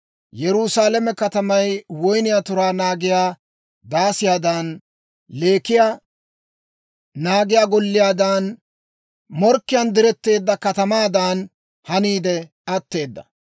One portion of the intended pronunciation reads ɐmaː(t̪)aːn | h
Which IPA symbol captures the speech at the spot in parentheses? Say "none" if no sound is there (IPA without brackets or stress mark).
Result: d̪